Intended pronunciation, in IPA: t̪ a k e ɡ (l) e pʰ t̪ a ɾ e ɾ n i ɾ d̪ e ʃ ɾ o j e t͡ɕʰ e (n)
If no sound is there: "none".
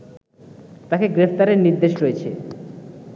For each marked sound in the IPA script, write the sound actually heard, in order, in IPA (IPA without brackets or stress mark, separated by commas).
ɾ, none